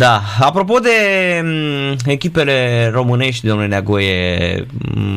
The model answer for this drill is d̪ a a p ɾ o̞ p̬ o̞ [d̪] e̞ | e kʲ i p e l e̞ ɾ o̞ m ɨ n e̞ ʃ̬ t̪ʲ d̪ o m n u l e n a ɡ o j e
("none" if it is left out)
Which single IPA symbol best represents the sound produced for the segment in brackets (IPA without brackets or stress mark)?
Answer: d̪